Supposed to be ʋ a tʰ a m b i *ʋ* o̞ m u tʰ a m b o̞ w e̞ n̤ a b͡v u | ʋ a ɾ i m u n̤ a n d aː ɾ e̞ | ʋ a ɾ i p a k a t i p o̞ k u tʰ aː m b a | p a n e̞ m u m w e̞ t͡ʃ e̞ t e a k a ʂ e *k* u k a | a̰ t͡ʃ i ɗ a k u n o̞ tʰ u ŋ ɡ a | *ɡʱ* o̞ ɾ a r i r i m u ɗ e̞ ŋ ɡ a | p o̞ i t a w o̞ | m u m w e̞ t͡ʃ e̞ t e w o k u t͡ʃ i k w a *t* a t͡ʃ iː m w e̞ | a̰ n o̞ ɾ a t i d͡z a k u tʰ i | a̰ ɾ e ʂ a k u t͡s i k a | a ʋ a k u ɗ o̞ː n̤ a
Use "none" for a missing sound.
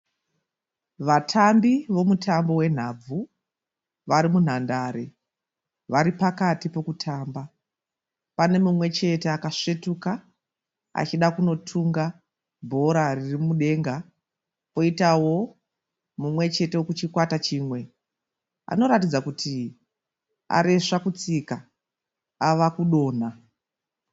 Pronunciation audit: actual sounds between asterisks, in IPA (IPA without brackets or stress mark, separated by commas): ʋ, t, bʱ, t